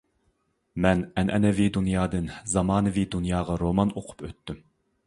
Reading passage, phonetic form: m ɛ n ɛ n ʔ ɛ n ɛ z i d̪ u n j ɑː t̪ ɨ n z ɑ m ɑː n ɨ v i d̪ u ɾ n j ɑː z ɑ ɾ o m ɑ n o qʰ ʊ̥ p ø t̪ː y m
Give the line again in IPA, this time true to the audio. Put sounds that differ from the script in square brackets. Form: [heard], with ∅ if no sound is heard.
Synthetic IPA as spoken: m ɛ n ɛ n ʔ ɛ n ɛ [v] i d̪ u n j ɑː [d̪] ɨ n z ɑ m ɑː n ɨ v i d̪ u [∅] n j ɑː [ʁ] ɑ ɾ o m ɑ n o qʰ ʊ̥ p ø t̪ː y m